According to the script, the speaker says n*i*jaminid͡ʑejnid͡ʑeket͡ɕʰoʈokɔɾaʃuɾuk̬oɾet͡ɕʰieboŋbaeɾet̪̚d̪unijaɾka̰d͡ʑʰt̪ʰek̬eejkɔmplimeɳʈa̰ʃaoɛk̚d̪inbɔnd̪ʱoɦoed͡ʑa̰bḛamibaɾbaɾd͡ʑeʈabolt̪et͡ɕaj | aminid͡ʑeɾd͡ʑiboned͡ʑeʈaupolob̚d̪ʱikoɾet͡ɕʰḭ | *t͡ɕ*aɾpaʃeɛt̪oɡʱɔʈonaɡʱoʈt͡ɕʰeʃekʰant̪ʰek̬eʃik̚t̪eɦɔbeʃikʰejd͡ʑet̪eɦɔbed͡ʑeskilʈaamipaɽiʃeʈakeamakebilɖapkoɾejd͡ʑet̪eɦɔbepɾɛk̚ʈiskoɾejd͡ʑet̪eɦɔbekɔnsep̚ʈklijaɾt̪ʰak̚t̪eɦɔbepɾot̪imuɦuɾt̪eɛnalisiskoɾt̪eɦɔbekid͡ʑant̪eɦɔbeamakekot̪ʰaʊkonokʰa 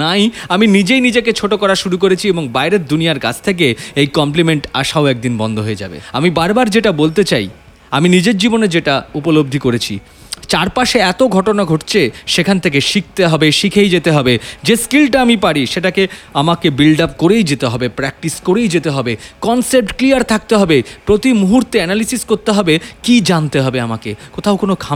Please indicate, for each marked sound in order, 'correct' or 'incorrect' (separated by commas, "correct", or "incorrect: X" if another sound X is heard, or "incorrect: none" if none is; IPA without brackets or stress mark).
incorrect: a, correct